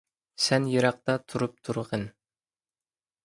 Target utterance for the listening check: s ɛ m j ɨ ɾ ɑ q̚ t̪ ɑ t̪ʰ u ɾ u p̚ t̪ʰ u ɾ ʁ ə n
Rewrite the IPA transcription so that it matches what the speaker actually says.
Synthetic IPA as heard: s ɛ n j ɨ ɾ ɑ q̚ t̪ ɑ t̪ʰ u ɾ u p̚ t̪ʰ u ɾ ʁ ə n